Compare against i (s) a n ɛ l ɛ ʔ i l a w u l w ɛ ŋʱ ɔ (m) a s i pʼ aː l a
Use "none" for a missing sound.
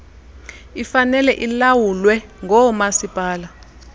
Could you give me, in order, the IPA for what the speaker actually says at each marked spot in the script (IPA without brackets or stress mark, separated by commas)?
f, m